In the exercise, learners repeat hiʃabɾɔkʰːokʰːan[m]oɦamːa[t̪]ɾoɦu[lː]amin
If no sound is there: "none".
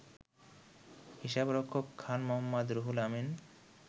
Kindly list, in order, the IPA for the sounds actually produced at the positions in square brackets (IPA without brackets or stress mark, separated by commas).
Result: m, d̪, l